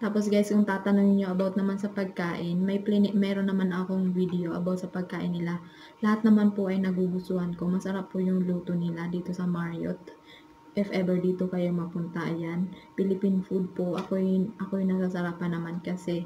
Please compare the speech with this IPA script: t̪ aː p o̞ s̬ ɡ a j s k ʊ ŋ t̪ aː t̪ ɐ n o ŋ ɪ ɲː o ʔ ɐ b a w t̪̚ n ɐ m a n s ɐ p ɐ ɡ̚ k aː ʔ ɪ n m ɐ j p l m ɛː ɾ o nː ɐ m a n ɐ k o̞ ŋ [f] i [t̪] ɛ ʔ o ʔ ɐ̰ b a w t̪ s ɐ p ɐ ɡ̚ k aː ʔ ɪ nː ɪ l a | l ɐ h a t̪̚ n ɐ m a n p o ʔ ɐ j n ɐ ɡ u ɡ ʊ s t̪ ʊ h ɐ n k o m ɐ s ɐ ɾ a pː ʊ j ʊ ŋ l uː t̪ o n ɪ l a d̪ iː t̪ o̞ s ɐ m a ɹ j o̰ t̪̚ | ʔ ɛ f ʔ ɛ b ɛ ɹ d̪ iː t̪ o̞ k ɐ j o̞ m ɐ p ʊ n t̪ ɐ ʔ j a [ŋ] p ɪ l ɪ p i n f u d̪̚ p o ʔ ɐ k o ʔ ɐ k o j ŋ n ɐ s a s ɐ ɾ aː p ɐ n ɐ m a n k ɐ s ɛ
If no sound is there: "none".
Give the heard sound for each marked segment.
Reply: v, d̪, n

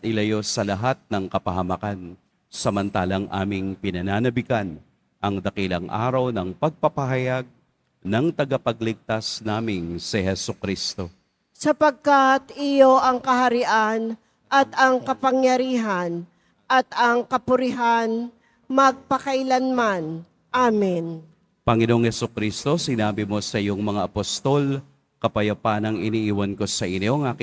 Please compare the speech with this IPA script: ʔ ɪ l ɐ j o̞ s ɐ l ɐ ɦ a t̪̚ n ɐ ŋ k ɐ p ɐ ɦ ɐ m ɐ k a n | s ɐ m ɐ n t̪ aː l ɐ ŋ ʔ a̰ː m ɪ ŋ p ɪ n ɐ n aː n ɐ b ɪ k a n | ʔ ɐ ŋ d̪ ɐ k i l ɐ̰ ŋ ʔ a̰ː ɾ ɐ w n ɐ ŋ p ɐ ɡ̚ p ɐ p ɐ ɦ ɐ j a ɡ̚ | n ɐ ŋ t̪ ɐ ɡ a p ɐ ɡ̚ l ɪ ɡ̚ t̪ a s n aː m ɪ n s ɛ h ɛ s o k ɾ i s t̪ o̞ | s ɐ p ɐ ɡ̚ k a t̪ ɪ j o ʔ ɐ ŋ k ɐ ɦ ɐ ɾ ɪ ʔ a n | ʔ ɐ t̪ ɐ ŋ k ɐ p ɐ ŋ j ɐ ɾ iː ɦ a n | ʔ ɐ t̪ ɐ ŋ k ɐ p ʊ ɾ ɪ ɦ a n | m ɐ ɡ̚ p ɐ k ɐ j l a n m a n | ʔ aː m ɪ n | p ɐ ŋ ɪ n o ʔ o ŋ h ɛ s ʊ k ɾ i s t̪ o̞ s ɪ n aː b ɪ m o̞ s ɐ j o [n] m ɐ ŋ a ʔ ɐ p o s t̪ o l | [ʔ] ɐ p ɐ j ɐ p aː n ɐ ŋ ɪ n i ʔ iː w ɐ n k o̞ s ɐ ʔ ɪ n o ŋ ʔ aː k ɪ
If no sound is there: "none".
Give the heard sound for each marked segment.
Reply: ŋ, k

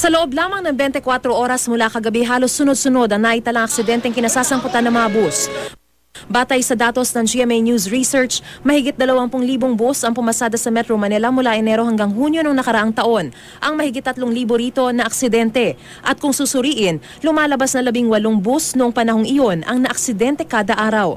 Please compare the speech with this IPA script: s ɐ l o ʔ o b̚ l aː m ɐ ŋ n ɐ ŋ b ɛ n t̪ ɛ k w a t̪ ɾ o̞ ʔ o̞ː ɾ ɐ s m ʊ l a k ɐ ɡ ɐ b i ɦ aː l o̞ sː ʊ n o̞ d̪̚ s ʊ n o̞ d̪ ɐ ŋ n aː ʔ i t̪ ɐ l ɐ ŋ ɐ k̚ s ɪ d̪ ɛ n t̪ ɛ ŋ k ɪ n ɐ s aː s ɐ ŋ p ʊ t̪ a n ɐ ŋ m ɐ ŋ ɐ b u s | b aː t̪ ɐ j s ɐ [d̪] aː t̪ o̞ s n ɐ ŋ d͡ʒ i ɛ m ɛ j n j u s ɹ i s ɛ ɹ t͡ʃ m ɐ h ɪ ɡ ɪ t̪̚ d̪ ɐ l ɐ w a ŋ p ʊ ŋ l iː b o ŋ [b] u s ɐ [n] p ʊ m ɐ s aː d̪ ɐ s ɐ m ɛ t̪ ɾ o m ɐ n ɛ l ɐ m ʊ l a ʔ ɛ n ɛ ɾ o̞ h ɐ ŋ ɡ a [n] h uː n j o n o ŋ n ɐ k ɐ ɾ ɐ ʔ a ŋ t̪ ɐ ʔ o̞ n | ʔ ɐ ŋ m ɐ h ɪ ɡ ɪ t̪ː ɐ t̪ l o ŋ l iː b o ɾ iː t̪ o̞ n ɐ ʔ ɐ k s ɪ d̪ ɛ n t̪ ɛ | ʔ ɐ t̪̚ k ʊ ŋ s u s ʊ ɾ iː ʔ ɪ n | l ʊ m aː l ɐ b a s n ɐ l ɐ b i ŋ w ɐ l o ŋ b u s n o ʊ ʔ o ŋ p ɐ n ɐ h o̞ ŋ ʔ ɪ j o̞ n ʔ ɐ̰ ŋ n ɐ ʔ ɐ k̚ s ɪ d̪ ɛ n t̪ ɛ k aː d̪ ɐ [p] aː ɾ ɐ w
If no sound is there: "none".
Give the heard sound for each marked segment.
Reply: d̪, b, ŋ, ŋ, ʔ

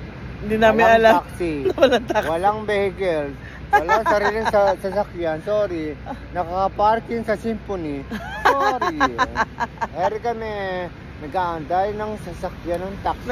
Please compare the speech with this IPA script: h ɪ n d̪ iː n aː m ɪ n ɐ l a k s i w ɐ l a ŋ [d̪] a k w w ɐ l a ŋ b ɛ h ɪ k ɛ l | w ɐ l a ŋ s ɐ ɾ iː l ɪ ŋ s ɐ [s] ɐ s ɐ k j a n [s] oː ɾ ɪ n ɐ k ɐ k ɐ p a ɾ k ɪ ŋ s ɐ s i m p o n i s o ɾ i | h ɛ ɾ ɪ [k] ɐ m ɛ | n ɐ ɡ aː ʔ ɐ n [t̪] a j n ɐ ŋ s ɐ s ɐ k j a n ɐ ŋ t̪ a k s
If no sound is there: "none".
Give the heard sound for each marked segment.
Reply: t̪, s, s, k, d̪

